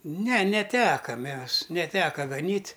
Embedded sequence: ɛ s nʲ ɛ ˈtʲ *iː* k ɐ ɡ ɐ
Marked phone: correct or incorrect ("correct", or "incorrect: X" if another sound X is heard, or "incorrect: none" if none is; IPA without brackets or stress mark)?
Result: incorrect: æː